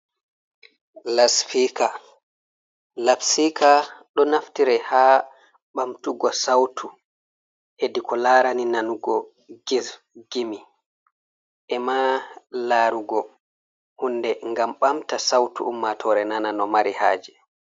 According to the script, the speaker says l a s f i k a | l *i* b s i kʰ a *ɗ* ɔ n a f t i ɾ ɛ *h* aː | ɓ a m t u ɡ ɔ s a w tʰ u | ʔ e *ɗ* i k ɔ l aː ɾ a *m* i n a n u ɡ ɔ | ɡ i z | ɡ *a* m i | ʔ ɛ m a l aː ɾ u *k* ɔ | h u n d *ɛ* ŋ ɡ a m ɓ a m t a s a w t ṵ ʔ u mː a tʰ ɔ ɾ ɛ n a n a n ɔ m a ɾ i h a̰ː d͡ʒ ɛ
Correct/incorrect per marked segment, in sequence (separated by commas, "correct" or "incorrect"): incorrect, correct, correct, incorrect, incorrect, incorrect, incorrect, correct